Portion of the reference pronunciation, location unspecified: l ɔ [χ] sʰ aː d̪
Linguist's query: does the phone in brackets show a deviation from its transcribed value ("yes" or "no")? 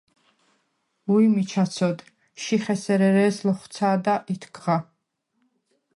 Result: no